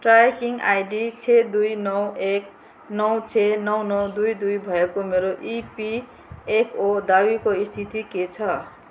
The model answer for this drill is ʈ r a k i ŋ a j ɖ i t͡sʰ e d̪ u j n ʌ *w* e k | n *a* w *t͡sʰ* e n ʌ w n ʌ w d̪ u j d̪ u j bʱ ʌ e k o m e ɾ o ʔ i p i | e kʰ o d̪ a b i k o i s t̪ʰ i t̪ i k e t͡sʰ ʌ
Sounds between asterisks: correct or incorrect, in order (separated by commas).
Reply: correct, incorrect, correct